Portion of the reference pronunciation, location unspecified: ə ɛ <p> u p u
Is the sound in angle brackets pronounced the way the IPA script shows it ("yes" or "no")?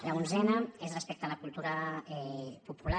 yes